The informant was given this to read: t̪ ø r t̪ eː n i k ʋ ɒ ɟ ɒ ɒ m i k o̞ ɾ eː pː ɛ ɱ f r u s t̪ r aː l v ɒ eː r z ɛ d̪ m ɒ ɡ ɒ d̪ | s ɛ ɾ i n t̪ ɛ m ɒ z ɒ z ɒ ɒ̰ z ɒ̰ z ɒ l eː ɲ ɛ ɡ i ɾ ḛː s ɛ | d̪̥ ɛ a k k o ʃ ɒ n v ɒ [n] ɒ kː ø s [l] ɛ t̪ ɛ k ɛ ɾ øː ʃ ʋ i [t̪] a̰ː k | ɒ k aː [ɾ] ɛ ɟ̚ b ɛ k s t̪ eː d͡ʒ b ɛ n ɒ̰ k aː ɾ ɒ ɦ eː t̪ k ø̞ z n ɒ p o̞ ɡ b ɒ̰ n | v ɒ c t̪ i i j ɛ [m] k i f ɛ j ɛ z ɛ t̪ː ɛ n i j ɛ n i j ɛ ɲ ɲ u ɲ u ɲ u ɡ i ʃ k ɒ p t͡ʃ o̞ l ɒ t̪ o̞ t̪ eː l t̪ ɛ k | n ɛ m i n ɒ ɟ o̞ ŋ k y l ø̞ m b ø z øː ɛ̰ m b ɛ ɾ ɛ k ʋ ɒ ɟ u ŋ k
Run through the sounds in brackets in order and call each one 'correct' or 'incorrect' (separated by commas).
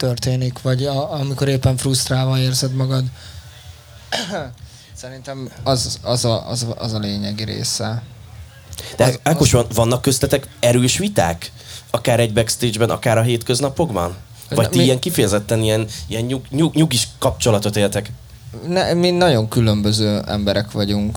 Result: incorrect, correct, correct, correct, incorrect